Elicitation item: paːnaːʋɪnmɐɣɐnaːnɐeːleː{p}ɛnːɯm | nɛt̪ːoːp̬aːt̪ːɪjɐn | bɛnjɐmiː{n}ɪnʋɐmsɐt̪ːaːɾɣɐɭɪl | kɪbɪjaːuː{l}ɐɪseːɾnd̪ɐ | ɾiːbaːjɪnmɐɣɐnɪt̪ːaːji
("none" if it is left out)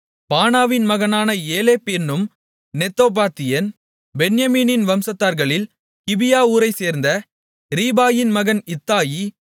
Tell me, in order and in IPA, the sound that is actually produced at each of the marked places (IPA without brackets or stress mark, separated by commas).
p, n, ɾ